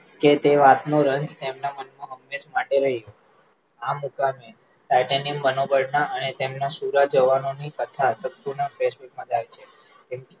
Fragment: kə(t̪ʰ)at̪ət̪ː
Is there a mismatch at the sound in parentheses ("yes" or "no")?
no